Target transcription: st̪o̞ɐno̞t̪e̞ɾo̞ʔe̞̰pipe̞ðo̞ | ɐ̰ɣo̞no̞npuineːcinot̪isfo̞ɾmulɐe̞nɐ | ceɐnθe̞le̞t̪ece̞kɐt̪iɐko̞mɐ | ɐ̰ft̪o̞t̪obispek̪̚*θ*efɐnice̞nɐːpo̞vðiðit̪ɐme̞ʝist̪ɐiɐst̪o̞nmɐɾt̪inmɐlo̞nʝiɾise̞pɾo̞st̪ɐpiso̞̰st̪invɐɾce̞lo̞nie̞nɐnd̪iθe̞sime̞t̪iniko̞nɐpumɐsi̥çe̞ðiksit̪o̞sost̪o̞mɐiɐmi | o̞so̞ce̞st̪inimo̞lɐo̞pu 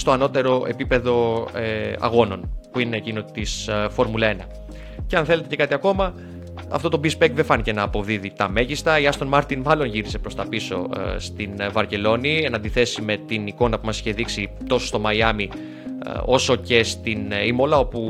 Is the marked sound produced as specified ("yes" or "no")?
no